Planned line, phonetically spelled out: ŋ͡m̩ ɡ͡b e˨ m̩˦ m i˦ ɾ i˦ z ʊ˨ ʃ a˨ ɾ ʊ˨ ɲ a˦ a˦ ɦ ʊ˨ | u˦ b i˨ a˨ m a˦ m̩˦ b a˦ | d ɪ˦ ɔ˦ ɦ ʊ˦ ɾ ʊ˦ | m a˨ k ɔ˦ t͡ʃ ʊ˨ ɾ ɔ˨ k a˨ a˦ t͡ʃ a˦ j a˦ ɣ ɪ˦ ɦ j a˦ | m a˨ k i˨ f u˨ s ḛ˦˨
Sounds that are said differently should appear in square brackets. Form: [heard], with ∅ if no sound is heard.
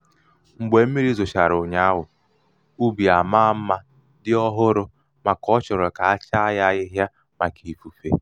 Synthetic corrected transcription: ŋ͡m̩ ɡ͡b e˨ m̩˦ m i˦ ɾ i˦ z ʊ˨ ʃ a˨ ɾ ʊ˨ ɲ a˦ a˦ ɦ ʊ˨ | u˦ b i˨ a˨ m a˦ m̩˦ [m] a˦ | d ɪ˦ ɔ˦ ɦ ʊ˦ ɾ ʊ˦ | m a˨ k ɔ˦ t͡ʃ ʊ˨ ɾ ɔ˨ k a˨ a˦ t͡ʃ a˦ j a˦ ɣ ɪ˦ ɦ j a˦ | m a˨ k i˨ f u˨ [f] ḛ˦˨